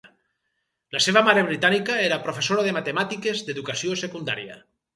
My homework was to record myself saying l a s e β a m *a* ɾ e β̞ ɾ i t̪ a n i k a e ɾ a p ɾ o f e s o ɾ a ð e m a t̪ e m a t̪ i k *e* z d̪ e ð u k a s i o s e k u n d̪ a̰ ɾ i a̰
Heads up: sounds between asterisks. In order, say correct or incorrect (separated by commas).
correct, correct